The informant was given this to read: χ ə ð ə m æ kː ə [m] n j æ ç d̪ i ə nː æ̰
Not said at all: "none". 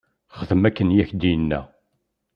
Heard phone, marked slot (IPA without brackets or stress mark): none